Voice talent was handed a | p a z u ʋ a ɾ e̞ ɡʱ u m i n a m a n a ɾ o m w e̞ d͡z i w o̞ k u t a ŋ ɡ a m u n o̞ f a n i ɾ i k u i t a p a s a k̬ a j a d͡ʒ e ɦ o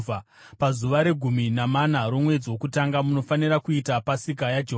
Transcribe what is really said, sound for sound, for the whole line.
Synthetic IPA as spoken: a | p a z u ʋ a ɾ e̞ ɡʱ u m i n a m a n a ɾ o m w e̞ d͡z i w o̞ k u t a ŋ ɡ a m u n o̞ f a n i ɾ a k u i t a p a s i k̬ a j a d͡ʒ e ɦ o